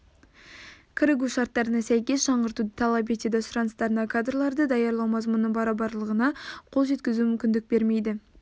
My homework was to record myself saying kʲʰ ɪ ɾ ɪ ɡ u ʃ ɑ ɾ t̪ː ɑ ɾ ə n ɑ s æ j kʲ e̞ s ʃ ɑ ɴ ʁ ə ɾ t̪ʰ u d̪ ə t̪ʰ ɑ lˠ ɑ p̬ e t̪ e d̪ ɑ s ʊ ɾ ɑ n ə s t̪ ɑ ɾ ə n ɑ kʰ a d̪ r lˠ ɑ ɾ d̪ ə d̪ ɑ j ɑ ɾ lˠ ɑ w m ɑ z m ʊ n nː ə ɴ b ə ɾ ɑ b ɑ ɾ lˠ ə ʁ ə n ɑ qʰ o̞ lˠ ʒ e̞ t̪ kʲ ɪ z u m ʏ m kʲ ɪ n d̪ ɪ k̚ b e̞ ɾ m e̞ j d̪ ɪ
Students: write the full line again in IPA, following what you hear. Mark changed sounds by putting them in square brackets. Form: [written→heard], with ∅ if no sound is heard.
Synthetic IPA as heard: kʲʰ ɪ ɾ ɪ ɡ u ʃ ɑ ɾ t̪ː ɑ ɾ ə n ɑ s æ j kʲ e̞ s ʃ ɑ ɴ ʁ ə ɾ [t̪ʰ→t̪] u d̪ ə t̪ʰ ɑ lˠ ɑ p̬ e t̪ e d̪ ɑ s ʊ ɾ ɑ n ə s t̪ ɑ ɾ ə n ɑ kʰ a d̪ r lˠ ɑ ɾ d̪ ə d̪ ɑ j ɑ ɾ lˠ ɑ w m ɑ z m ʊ n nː ə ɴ b [ə→ɑ] ɾ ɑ b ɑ ɾ lˠ ə ʁ ə n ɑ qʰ o̞ lˠ ʒ e̞ t̪ kʲ ɪ z u m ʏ m kʲ ɪ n d̪ ɪ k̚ b e̞ ɾ m e̞ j d̪ ɪ